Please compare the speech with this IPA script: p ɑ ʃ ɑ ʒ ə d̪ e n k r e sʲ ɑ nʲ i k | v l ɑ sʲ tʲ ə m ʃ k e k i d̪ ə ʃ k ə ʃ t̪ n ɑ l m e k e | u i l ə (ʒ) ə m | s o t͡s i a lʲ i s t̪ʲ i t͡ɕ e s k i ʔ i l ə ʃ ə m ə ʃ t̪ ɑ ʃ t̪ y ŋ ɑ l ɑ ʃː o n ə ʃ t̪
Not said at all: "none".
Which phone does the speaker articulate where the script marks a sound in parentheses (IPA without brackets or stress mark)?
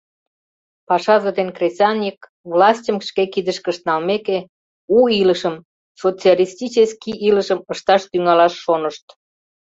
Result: ʃ